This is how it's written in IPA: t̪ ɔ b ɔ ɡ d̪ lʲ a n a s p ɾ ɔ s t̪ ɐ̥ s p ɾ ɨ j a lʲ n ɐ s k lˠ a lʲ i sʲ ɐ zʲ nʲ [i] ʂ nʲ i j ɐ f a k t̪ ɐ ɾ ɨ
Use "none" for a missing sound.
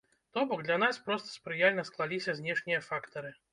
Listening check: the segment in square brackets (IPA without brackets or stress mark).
ɛ